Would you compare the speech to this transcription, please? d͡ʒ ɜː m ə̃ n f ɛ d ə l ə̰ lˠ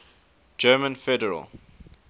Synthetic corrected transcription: d͡ʒ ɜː m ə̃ n f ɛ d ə ɹ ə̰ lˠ